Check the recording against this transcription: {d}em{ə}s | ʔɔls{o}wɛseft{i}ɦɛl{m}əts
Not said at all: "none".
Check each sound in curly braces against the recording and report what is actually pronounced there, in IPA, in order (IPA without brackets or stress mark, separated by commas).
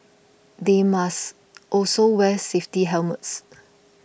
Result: d, a, o, i, m